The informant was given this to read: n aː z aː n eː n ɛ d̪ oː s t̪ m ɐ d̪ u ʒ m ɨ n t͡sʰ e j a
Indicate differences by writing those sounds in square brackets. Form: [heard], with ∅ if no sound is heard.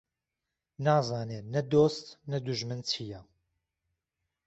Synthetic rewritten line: n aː z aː n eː n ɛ d̪ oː s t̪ [n] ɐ d̪ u ʒ m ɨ n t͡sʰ [i] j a